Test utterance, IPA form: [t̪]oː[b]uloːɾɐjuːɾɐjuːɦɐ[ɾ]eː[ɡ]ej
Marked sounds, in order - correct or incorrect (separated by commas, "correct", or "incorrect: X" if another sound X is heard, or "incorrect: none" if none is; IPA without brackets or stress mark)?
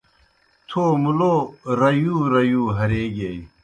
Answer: incorrect: t̪ʰ, incorrect: m, correct, correct